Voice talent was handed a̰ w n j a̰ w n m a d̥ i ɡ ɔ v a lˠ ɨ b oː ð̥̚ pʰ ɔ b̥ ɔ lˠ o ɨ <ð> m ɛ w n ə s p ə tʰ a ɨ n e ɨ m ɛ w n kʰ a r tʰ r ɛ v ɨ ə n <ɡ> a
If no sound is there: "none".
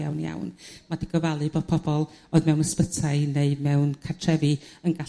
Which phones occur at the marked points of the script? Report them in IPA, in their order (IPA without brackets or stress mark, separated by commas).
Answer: ð, ɡ